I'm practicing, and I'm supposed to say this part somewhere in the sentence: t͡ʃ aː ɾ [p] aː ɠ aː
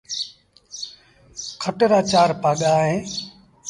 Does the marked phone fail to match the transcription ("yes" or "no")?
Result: no